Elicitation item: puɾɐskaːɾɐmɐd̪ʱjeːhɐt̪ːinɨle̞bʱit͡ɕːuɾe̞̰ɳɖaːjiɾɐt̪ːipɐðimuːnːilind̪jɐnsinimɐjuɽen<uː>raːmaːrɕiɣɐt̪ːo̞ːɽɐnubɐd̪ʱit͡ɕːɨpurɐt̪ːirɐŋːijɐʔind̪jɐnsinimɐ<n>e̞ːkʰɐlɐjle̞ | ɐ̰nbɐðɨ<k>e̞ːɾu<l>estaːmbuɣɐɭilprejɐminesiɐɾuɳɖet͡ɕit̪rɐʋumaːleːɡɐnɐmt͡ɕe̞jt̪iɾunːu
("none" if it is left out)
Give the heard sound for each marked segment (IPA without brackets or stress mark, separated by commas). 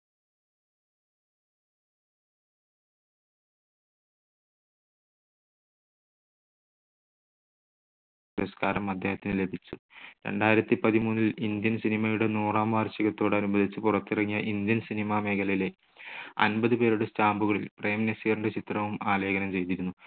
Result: uː, m, p, ɽ